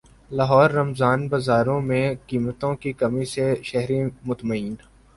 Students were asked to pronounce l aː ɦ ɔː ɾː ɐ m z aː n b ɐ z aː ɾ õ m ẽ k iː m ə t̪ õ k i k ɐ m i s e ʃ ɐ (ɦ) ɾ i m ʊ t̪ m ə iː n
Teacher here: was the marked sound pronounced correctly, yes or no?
yes